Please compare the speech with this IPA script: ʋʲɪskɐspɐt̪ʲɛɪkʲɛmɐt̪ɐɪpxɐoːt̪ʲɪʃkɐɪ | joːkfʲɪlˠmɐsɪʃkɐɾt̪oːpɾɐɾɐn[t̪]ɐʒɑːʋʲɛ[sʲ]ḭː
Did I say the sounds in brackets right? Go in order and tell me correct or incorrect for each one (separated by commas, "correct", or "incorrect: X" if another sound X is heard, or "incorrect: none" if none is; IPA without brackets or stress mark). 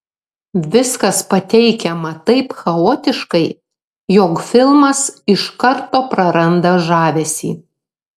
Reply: incorrect: d̪, correct